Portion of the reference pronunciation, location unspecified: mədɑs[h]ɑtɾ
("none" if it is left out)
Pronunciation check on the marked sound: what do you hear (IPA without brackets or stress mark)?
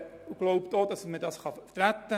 χ